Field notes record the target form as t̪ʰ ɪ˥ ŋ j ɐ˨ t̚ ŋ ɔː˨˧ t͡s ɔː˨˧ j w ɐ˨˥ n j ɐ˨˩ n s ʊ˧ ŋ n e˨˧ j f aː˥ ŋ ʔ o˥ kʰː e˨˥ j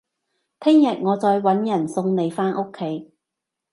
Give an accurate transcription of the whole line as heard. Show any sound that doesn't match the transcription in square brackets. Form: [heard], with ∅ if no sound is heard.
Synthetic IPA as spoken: t̪ʰ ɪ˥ ŋ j ɐ˨ t̚ ŋ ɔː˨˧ t͡s ɔː˨˧ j w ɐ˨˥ n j ɐ˨˩ n s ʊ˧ ŋ n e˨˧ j f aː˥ [n] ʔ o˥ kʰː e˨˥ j